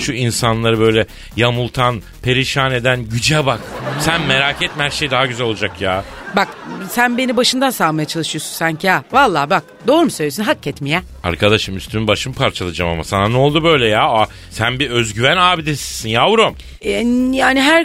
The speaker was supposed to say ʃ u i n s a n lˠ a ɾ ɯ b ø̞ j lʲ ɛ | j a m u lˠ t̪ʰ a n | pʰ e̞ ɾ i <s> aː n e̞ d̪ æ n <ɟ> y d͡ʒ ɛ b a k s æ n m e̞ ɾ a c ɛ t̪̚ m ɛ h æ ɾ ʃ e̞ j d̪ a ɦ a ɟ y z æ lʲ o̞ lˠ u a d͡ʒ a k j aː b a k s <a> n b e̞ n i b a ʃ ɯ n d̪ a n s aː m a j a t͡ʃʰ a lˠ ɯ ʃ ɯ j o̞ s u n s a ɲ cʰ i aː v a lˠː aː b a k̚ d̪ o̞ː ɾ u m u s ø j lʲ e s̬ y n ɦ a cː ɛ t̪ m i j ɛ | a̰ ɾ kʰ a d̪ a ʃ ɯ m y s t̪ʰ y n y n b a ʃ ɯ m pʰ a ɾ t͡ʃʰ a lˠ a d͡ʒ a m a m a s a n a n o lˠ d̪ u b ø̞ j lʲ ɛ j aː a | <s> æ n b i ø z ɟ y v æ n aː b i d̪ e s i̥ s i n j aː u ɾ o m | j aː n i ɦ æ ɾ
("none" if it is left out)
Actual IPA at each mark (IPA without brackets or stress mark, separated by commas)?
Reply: ʃ, ɟ, æ, s